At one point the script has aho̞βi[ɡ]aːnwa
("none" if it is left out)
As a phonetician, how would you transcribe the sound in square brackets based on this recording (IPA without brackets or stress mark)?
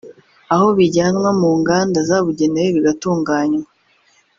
ɟ